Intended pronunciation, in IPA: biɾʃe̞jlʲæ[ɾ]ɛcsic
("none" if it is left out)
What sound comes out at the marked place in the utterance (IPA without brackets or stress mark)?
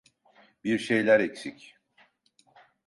ɾ